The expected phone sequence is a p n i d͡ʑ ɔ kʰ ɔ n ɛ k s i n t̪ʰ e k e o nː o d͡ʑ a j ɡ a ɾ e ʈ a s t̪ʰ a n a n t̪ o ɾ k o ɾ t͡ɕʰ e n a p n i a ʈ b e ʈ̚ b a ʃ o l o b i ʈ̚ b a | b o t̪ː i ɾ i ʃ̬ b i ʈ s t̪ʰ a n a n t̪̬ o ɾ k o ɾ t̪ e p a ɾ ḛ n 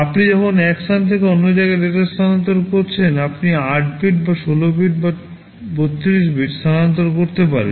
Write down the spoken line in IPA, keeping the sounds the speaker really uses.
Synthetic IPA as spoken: a p n i d͡ʑ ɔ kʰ o n ɛ k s a n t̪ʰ e k e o nː o d͡ʑ a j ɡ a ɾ e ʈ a s t̪ʰ a n a n t̪ o ɾ k o ɾ t͡ɕʰ e n a p n i a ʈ b i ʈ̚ b a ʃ o l o b i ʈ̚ b a | b o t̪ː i ɾ i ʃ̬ b i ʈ s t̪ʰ a n a n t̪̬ o ɾ k o ɾ t̪ e p a ɾ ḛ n